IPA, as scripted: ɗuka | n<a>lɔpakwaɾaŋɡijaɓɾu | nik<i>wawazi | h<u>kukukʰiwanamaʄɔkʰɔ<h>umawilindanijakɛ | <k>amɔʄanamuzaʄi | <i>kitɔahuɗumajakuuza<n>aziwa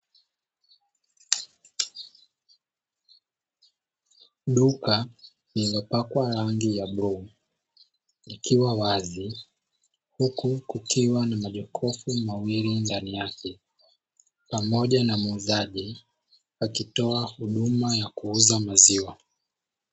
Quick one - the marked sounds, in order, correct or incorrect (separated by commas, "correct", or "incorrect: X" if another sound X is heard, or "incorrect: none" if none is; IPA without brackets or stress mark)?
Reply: incorrect: i, correct, correct, incorrect: f, incorrect: p, incorrect: a, incorrect: m